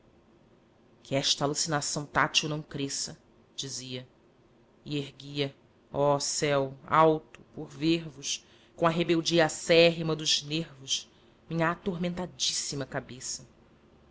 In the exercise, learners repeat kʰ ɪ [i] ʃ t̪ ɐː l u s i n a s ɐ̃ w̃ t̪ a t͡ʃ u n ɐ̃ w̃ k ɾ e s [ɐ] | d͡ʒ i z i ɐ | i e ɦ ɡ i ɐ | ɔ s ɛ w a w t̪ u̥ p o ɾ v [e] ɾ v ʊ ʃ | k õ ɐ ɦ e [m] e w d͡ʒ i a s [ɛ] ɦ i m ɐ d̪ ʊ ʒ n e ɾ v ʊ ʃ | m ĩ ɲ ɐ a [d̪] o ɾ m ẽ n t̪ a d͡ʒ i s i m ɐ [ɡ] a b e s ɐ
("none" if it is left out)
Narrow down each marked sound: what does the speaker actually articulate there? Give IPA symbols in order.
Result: ɛ, ɐ, e, b, ɛ, t̪, k

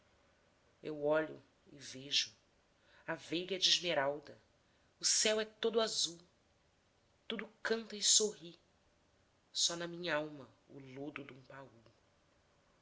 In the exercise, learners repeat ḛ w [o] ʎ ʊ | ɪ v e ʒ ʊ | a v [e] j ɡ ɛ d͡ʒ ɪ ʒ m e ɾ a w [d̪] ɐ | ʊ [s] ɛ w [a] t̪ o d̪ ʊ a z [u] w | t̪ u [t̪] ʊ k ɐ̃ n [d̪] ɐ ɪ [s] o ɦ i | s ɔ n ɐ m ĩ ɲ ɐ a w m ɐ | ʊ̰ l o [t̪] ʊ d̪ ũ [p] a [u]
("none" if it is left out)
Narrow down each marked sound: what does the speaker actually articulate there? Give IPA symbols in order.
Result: ɔ, e, d̪, s, ɛ, u, d̪, t̪, s, d̪, p, u

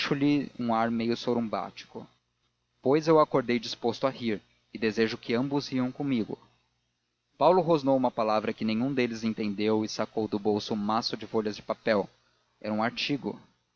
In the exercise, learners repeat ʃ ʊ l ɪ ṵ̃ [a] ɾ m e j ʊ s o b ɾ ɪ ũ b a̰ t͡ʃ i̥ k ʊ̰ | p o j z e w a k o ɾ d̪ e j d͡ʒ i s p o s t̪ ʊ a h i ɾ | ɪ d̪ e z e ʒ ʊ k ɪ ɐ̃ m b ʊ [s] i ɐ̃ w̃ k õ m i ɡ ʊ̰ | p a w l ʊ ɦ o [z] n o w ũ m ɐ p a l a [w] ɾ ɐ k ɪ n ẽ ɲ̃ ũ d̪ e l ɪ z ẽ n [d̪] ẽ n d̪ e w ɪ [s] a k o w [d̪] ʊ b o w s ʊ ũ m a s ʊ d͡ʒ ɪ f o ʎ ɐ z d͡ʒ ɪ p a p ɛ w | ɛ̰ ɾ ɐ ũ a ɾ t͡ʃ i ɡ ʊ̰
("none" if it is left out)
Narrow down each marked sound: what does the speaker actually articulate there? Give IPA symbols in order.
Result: a, z, z, v, t̪, s, d̪

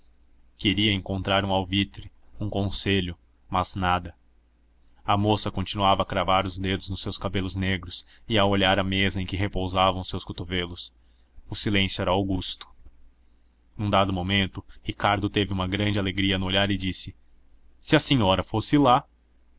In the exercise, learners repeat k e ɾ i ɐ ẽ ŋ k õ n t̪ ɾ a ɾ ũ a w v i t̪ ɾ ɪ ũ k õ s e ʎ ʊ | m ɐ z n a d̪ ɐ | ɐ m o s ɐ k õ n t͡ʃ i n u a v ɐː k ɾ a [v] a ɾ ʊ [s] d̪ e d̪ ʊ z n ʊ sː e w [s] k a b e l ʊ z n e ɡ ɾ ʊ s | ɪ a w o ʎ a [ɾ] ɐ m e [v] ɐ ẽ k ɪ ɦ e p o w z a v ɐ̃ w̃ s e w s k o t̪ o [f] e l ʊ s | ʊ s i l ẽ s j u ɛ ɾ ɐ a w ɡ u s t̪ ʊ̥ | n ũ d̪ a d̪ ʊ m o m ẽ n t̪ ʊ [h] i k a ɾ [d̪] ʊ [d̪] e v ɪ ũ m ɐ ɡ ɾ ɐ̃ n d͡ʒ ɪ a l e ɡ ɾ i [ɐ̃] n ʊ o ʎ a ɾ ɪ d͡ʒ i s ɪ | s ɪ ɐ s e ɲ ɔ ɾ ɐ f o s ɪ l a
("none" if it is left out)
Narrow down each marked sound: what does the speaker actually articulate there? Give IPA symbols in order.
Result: v, z, s, ɾ, z, v, h, d̪, t̪, ɐ

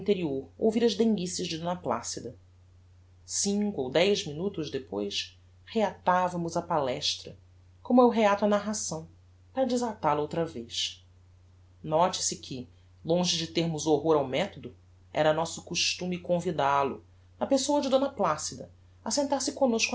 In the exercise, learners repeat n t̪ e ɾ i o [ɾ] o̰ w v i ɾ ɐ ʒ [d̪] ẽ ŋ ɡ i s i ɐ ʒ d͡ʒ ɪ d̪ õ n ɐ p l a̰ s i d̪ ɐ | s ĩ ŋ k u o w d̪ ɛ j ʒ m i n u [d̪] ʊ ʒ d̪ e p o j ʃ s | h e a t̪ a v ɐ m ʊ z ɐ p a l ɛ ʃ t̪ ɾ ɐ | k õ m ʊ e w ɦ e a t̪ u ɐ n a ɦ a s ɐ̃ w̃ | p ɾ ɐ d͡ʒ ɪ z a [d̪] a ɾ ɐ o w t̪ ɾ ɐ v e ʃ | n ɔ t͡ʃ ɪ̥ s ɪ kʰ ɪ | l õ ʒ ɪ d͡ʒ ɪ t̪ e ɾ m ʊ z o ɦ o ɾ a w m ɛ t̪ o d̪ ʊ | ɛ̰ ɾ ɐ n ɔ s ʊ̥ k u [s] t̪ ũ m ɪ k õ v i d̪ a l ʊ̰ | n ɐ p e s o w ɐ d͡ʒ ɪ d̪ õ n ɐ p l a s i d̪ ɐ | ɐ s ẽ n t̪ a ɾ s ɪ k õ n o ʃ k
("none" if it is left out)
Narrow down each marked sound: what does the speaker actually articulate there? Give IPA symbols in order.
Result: ɾ, d̪, t̪, t̪, ʃ

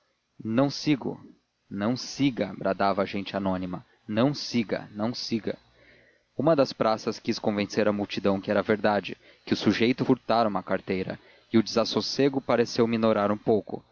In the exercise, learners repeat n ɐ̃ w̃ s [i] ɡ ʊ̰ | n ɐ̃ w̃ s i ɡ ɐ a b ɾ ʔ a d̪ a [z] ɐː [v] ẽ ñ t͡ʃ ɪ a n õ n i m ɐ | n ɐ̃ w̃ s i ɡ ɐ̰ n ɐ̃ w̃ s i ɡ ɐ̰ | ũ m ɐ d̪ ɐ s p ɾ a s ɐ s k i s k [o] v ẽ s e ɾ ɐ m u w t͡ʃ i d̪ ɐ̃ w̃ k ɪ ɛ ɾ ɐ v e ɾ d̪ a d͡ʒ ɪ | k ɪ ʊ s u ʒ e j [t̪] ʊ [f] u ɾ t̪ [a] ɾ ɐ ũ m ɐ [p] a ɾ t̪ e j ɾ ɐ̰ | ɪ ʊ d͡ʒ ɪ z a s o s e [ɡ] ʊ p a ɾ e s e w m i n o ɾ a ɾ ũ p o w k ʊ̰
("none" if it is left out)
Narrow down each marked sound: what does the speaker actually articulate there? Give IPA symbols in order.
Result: i, v, ʒ, õ, t̪, f, a, k, ɡ

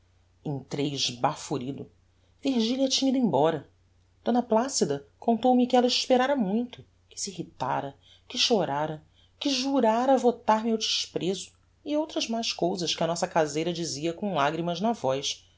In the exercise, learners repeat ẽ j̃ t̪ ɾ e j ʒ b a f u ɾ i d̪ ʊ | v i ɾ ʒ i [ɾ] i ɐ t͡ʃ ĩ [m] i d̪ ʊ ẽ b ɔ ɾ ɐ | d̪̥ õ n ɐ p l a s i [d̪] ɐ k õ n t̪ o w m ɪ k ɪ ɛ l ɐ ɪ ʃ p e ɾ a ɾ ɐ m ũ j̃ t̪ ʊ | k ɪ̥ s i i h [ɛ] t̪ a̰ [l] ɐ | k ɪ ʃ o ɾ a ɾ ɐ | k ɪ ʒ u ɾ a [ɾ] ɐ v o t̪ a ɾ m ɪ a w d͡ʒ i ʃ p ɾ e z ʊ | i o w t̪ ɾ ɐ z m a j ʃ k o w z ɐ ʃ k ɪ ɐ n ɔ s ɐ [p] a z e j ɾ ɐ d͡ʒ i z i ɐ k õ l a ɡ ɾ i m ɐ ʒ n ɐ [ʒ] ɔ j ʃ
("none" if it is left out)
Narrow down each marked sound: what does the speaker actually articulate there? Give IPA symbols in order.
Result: l, ɲ, d̪, i, ɾ, ɾ, k, v

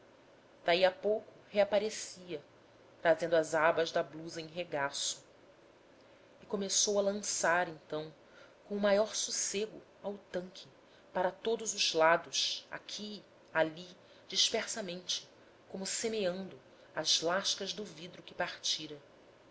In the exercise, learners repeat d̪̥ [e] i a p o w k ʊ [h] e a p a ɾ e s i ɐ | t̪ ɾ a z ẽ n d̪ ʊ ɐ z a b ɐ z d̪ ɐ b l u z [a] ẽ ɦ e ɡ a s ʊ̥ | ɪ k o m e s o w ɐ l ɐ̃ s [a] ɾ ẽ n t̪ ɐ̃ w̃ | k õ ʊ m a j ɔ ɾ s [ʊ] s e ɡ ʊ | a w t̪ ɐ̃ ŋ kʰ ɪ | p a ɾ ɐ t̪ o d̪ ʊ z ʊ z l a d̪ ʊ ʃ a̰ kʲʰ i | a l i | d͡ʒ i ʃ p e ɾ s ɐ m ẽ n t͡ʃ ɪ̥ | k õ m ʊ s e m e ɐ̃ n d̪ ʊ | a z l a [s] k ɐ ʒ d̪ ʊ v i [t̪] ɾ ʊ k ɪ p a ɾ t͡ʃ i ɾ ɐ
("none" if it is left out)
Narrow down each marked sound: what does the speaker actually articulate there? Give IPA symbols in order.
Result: a, h, ɐ, a, u, ʃ, d̪

